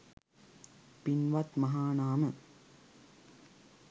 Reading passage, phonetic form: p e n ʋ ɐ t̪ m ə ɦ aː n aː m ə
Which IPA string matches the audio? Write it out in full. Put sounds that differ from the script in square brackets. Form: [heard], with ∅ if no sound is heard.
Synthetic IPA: p [i] n ʋ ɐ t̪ m [ɐ] ɦ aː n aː m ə